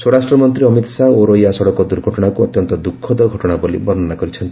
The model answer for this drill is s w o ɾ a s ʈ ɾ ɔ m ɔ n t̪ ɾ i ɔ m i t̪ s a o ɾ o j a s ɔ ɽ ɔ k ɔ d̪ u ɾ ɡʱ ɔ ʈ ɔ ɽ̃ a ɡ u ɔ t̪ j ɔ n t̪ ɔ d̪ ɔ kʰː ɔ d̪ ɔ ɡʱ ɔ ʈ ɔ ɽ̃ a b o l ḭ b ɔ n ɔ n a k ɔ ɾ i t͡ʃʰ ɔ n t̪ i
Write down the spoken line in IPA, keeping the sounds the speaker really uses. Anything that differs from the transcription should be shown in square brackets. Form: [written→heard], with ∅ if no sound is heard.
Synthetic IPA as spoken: s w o ɾ a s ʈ ɾ ɔ m ɔ n t̪ ɾ i ɔ m i t̪ s a o ɾ o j a s ɔ ɽ ɔ k ɔ d̪ u ɾ ɡʱ ɔ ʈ ɔ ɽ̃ a [ɡ→k] u ɔ t̪ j ɔ n t̪ ɔ d̪ [ɔ→u] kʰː ɔ d̪ ɔ ɡʱ ɔ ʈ ɔ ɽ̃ a b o l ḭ b ɔ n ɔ n a k ɔ ɾ i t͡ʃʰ ɔ n t̪ i